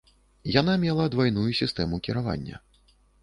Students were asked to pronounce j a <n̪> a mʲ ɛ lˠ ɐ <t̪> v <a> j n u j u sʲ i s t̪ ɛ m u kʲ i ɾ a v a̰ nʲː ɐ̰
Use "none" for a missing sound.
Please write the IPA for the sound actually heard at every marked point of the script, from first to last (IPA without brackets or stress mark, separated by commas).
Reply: n̪, d̪, a